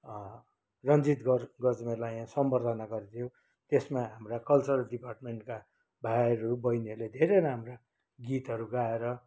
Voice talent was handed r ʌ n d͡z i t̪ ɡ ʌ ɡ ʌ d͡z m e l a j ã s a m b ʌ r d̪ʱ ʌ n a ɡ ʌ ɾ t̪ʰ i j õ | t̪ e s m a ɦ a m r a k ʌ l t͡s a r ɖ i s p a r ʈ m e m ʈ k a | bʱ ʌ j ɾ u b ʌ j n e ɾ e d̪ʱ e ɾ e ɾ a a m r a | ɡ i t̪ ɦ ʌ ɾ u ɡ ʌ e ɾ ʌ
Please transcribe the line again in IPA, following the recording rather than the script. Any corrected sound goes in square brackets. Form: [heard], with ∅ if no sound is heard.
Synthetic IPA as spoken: r ʌ n d͡z i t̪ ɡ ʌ ɡ ʌ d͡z m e l a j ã s [ʌ] m b ʌ r d̪ʱ ʌ n a ɡ ʌ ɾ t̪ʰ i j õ | t̪ e s m a ɦ a m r a k ʌ l t͡s [ʌ] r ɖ i [∅] p a r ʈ m e [ɳ] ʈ k a | bʱ [a] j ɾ u b ʌ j n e [l] e d̪ʱ e ɾ e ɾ a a m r a | ɡ i t̪ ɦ ʌ ɾ u ɡ [a] e ɾ ʌ